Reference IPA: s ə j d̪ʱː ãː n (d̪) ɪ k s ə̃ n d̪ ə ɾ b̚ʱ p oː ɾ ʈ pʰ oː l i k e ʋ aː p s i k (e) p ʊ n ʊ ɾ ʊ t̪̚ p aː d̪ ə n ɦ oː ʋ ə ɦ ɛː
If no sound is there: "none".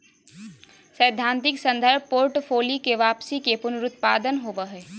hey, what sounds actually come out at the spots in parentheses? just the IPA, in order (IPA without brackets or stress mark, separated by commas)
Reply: t̪, e